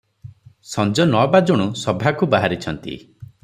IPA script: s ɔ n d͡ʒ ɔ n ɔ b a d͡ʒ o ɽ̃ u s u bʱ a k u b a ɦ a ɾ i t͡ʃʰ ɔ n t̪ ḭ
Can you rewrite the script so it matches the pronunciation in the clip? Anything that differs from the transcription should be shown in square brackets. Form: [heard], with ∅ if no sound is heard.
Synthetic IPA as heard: s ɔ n d͡ʒ ɔ n ɔ b a d͡ʒ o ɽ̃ u s [ɔ] bʱ a k u b a ɦ a ɾ i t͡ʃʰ ɔ n t̪ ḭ